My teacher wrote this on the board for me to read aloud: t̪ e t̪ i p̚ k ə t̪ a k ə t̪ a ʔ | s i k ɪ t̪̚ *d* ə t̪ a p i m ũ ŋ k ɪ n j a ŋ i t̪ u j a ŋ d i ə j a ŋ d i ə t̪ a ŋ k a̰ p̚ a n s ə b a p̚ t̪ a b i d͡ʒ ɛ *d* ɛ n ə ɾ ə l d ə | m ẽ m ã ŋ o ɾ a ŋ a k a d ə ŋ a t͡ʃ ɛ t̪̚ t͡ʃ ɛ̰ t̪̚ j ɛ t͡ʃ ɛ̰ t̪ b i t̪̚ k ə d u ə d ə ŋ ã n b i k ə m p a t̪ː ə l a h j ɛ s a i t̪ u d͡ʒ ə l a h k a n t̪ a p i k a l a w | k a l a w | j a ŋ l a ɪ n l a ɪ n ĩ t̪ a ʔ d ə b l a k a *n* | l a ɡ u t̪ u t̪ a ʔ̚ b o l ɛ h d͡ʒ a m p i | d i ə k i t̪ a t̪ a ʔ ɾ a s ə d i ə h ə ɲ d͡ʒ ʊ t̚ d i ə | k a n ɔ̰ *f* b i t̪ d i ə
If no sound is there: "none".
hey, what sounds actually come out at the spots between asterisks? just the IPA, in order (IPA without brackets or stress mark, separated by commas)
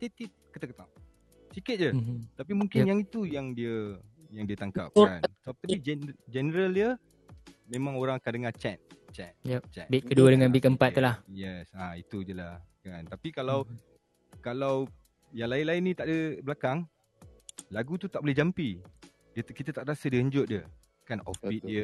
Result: d͡ʒ, d͡ʒ, ŋ, f